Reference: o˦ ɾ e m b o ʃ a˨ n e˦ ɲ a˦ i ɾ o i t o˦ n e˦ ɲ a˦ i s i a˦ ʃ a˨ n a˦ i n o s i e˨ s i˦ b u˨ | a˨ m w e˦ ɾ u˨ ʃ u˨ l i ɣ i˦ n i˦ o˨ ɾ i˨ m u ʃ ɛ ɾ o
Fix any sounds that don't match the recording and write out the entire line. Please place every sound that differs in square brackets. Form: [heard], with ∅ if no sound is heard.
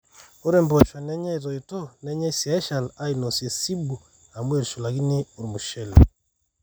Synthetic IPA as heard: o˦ ɾ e m b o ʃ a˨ n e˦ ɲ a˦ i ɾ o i t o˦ n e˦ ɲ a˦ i s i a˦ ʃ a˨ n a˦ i n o s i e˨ s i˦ b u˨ | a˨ m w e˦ ɾ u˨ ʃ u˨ l [a] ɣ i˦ n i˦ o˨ ɾ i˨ m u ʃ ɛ [l] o